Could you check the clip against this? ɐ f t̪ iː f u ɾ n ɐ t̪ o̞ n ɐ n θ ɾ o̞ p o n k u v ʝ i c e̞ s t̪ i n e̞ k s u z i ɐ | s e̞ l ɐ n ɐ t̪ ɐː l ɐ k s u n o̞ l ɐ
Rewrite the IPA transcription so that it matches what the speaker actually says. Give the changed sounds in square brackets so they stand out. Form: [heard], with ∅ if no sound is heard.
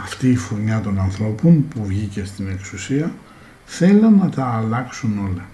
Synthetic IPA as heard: ɐ f t̪ iː f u ɾ [ɲ] ɐ t̪ o̞ n ɐ n θ ɾ o̞ p o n [p] u v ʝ i c e̞ s t̪ i n e̞ k s u [s] i ɐ | [θ] e̞ l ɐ n ɐ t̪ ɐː l ɐ k s u n o̞ l ɐ